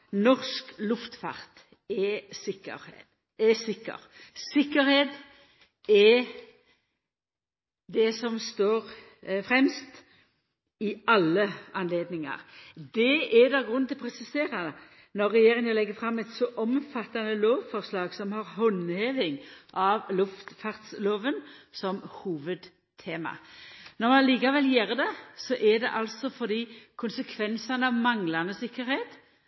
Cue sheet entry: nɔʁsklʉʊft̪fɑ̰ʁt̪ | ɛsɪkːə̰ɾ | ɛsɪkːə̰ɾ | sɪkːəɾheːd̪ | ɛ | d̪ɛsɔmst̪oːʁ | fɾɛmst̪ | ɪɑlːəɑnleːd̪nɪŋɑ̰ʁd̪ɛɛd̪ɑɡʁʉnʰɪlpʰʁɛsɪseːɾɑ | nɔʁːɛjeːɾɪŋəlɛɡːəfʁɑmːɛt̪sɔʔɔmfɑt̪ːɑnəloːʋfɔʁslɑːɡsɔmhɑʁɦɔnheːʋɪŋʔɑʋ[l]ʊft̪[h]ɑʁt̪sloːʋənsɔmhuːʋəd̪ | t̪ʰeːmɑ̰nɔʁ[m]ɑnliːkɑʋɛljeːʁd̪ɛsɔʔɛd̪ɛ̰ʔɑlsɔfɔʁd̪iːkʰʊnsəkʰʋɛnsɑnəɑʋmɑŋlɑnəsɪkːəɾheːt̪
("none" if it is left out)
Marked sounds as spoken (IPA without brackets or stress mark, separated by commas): l, f, m